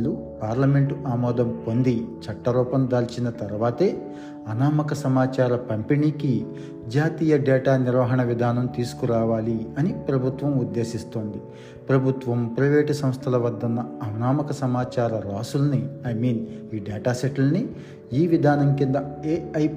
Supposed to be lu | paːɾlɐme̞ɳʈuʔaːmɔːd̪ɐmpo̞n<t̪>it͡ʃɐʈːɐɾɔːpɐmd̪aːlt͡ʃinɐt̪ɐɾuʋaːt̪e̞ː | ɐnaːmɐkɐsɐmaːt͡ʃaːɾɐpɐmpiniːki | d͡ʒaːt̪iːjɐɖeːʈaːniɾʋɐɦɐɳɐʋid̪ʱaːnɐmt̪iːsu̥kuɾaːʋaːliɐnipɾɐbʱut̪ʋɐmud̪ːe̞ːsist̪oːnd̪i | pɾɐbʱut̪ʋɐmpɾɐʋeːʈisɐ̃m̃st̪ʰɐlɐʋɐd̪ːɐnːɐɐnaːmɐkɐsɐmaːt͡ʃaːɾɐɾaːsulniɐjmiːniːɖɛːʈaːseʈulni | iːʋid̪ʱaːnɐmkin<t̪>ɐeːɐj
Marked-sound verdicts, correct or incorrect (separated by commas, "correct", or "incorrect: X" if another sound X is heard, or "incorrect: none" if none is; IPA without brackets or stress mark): incorrect: d̪, incorrect: d̪